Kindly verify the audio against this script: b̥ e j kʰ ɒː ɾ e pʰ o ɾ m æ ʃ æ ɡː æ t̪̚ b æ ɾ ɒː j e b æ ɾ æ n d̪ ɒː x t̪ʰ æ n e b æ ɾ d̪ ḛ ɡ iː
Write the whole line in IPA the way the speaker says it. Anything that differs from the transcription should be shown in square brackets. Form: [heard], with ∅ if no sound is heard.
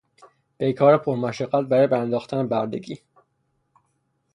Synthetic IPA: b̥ e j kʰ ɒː ɾ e pʰ o ɾ m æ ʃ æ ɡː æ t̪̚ b æ ɾ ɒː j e b æ ɾ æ n d̪ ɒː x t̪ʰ æ n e b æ ɾ d̪ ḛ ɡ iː